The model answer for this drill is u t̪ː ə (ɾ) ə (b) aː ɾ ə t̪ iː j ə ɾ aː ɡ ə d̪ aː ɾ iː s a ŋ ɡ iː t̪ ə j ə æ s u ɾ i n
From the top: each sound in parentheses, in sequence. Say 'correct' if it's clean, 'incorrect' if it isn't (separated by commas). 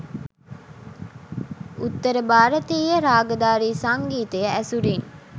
correct, correct